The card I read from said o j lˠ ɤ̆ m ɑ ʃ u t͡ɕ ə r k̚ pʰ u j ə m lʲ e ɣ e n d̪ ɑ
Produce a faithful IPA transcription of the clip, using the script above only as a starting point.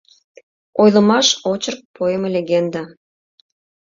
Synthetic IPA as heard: o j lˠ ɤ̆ m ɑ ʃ o t͡ɕ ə r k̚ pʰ o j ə m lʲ e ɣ e n d̪ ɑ